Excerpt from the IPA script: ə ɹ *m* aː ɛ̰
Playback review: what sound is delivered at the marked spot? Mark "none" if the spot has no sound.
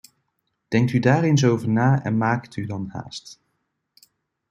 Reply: n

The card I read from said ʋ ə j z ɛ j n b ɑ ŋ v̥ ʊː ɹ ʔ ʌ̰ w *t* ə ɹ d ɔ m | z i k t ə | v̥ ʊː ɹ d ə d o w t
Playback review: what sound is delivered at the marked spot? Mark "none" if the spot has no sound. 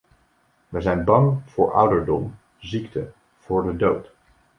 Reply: d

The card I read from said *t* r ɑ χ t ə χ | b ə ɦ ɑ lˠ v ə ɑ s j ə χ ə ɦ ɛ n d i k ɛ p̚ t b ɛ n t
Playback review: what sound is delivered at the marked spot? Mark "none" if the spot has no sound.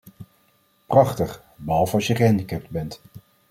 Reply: p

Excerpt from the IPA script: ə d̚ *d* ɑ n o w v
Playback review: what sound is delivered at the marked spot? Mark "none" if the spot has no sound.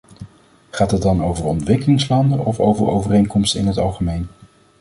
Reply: d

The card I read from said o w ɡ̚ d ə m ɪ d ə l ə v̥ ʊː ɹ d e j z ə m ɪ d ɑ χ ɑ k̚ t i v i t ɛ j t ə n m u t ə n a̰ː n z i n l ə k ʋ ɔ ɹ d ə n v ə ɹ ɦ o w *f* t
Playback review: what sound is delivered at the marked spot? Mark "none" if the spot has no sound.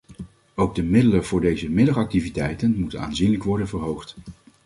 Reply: χ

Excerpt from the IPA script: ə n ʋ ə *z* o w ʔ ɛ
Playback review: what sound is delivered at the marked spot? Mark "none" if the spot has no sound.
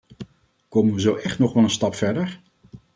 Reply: z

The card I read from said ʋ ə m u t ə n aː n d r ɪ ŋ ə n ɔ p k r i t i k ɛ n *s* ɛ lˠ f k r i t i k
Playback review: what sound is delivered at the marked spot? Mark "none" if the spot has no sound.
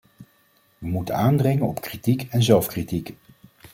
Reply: z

